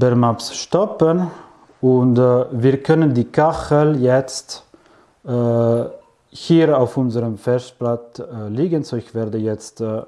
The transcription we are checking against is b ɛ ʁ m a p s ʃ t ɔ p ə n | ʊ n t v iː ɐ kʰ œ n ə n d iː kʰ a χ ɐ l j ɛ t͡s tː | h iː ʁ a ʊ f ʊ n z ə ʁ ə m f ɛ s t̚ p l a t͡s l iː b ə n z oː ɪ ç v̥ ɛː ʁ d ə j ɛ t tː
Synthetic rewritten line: b ɛ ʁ m a p s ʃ t ɔ p ə n | ʊ n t v iː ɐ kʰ œ n ə n d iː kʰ a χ ə l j ɛ t͡s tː | h iː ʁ a ʊ f ʊ n z ə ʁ ə m f ɛ s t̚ p l a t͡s l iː ɡ ə n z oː ɪ ç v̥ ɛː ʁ d ə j ɛ t͡s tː

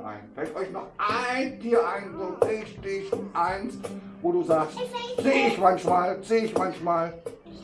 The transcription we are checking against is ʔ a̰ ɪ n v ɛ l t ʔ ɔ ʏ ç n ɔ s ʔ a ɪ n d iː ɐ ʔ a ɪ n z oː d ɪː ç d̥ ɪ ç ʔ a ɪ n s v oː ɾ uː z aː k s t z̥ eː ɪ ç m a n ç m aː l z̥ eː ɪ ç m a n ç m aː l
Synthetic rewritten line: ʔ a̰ ɪ n f ɛ l t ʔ ɔ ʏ ç n ɔ χ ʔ a ɪ n d iː ɐ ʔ a ɪ n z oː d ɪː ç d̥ ɪ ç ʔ a ɪ n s v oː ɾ uː z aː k s t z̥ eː ɪ ç m a n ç m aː l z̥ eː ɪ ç m a n ç m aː l

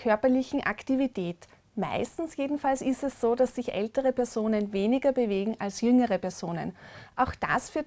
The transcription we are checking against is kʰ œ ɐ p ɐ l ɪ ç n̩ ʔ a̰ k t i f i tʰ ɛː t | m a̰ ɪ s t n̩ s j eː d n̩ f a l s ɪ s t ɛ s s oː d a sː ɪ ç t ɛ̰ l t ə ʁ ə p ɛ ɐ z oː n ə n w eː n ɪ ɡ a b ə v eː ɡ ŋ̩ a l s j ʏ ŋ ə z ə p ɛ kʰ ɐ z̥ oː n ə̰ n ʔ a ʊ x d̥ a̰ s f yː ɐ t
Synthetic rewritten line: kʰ œ ɐ p ɐ l ɪ ç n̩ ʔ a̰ k t i v i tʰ ɛː t | m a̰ ɪ s t n̩ s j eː d n̩ f a l s ɪ s t ɛ s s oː d a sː ɪ ç ʔ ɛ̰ l t ə ʁ ə p ɛ ɐ z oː n ə n v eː n ɪ ɡ ɐ b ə v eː ɡ ŋ̩ a l s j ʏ ŋ ə ʁ ə p ɛ ɐ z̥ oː n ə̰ n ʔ a ʊ x d̥ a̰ s f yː ɐ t

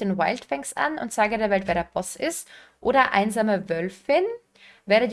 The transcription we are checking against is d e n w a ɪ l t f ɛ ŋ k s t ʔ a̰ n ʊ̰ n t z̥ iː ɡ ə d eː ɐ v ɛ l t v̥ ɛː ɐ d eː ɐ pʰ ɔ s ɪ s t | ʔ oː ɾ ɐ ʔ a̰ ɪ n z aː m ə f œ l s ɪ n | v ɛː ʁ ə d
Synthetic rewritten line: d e n w a ɪ l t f ɛ ŋ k s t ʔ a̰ n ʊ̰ n t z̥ aː ɡ ə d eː ɐ v ɛ l t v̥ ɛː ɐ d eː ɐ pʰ ɔ s ɪ s t | ʔ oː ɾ ɐ ʔ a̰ ɪ n z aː m ə v œ l f ɪ n | v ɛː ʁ ə d

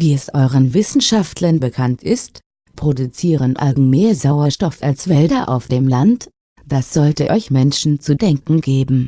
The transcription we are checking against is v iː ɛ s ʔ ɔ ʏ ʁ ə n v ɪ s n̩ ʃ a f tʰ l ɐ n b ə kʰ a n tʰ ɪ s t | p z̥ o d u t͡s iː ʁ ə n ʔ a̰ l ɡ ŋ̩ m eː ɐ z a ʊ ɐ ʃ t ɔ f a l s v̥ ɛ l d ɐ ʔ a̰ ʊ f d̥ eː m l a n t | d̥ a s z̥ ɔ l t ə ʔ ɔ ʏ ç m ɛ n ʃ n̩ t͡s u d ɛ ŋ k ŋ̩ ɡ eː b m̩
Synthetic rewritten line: v iː ɛ s ʔ ɔ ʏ ʁ ə n v ɪ s n̩ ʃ a f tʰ l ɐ n b ə kʰ a n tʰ ɪ s t | p ʁ̥ o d u t͡s iː ʁ ə n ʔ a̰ l ɡ ŋ̩ m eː ɐ z a ʊ ɐ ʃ t ɔ f a l s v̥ ɛ l d ɐ ʔ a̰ ʊ f d̥ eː m l a n t | d̥ a s z̥ ɔ l t ə ʔ ɔ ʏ ç m ɛ n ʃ n̩ t͡s u d ɛ ŋ k ŋ̩ ɡ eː b m̩

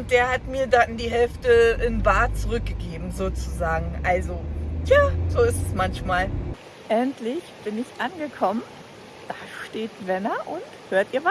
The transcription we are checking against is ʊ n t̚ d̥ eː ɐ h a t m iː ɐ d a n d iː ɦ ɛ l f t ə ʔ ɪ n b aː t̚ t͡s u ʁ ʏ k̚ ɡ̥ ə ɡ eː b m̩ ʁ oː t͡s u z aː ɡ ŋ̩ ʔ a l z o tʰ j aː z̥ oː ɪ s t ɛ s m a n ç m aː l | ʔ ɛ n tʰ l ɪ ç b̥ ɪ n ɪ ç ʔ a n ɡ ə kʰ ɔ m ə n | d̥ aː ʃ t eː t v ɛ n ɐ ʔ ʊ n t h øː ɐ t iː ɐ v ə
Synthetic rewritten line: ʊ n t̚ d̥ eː ɐ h a t m iː ɐ d a n d iː ɦ ɛ l f t ə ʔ ɪ n b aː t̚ t͡s u ʁ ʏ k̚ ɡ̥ ə ɡ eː b m̩ z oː t͡s u z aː ɡ ŋ̩ ʔ a l z o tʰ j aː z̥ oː ɪ s t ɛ s m a n ç m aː l | ʔ ɛ n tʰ l ɪ ç b̥ ɪ n ɪ ç ʔ a n ɡ ə kʰ ɔ m ə n | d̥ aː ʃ t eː t v ɛ n ɐ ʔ ʊ n t h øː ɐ t iː ɐ v a

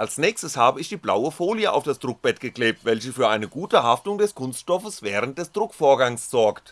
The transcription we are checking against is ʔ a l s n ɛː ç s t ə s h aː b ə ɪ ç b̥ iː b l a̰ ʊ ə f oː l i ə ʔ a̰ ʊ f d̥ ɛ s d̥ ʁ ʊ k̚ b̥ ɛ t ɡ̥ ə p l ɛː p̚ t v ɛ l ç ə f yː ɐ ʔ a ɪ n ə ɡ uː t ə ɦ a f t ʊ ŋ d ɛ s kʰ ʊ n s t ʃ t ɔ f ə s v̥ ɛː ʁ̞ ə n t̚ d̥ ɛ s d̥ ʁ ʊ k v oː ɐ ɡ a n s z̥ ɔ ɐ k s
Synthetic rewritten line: ʔ a l s n ɛː ç s t ə s h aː b ə ɪ ç d̥ iː b l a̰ ʊ ə f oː l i ə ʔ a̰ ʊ f d̥ a s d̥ ʁ ʊ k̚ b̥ ɛ t ɡ̥ ə k l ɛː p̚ t v ɛ l ç ə f yː ɐ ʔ a ɪ n ə ɡ uː t ə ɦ a f t ʊ ŋ d ɛ s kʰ ʊ n s t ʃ t ɔ f ə s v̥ ɛː ʁ̞ ə n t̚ d̥ ɛ s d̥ ʁ ʊ k f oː ɐ ɡ a ŋ s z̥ ɔ ɐ k t

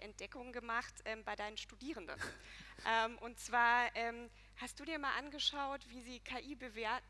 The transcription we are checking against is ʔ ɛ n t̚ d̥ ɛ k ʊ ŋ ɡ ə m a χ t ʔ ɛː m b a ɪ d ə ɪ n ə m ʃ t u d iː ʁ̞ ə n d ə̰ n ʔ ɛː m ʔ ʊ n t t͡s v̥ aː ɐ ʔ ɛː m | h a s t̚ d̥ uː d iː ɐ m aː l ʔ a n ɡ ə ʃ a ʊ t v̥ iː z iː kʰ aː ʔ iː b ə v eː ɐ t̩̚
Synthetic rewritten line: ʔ ɛ n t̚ d̥ ɛ k ʊ ŋ ɡ ə m a χ t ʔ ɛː m b a ɪ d a ɪ n ə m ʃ t u d iː ʁ̞ ə n d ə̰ n ʔ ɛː m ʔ ʊ n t t͡s v̥ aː ɐ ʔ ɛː m | h a s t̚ d̥ uː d iː ɐ m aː l ʔ a n ɡ ə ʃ a ʊ t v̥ iː z iː kʰ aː ʔ iː b ə v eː ɐ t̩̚

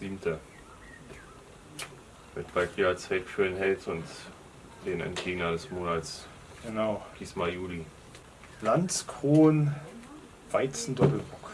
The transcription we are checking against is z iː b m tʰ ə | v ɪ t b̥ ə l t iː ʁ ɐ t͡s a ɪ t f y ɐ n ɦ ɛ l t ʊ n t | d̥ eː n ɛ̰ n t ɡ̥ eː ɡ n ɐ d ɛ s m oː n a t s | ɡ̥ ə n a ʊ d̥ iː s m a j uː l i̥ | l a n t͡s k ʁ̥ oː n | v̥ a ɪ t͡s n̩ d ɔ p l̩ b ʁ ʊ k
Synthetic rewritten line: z iː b m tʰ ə | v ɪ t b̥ a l t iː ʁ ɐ t͡s a ɪ t f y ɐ n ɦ ɛ l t ʊ n t | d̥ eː n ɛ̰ n t ɡ̥ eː ɡ n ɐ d ɛ s m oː n a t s | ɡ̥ ə n a ʊ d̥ iː s m a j uː l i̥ | l a n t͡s k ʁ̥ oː n | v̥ a ɪ t͡s n̩ d ɔ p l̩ b ʁ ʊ k

